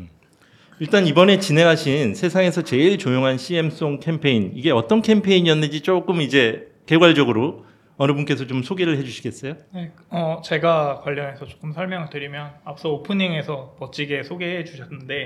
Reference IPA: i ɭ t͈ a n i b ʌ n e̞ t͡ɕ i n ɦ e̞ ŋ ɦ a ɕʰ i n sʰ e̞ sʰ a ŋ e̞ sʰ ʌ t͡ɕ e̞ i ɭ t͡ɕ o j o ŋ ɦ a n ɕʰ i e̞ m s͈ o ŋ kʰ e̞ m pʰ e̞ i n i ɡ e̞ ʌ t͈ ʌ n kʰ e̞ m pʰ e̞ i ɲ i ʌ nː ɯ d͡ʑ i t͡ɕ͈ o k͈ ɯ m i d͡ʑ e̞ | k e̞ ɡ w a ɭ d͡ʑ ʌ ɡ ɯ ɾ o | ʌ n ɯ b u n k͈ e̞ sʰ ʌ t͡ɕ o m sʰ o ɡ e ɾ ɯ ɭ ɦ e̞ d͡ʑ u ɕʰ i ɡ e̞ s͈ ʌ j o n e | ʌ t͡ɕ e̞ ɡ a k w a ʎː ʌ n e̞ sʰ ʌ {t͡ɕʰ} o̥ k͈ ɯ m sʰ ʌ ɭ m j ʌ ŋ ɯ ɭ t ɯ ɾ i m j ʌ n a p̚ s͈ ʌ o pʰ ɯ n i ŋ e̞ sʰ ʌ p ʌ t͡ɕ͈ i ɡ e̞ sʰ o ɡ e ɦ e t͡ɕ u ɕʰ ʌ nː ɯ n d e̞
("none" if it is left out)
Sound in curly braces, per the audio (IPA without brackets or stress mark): t͡ɕ